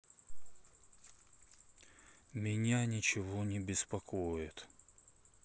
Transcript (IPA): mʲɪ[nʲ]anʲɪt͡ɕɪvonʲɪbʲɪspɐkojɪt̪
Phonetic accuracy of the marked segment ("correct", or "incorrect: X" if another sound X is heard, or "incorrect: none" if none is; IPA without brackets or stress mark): correct